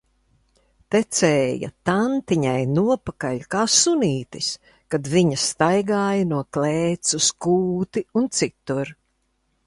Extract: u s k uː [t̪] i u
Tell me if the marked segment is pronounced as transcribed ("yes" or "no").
yes